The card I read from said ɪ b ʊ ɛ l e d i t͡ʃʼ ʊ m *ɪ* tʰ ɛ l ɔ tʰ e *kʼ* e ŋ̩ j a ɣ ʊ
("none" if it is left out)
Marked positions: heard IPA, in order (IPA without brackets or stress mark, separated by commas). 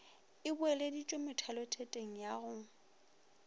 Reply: ɪ, tʼ